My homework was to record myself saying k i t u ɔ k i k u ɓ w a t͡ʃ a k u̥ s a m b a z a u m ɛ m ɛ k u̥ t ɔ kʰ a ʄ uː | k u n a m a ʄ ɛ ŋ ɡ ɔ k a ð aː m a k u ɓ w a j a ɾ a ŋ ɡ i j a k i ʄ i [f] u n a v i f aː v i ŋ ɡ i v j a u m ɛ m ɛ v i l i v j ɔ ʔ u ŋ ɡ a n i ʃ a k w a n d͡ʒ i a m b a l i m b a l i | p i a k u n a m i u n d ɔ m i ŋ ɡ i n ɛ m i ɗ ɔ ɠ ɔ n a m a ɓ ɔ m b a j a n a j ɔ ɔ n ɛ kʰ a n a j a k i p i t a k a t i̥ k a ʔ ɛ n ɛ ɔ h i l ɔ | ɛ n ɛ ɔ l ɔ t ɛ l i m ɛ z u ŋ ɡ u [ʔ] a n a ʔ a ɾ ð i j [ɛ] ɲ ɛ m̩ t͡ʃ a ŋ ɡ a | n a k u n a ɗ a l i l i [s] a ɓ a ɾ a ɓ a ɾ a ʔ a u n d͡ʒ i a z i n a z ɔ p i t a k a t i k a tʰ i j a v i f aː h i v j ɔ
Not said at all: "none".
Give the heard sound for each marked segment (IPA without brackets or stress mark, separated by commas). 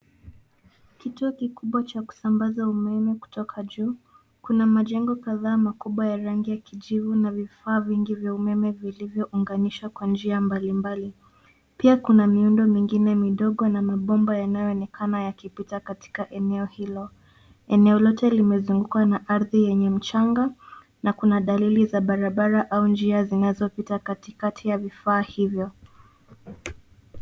v, k, ɛ, z